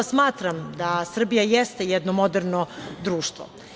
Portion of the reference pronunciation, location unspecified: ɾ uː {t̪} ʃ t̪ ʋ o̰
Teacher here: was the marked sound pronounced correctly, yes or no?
no